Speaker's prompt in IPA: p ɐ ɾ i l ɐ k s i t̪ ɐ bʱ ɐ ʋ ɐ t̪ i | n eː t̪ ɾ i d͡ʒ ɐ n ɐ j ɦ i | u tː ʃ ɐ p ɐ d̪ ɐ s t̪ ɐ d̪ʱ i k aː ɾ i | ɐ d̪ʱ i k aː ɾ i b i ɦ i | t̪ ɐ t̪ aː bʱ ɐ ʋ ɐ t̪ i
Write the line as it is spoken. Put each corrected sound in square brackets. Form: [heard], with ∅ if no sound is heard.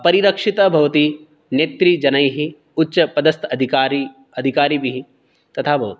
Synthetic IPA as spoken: p ɐ ɾ i [ɾ] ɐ k [ʂ] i t̪ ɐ bʱ ɐ ʋ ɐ t̪ i | n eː t̪ ɾ i d͡ʒ ɐ n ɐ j ɦ i | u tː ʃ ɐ p ɐ d̪ ɐ s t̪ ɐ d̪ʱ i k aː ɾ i | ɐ d̪ʱ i k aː ɾ i b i ɦ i | t̪ ɐ [t̪ʰ] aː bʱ ɐ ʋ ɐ t̪ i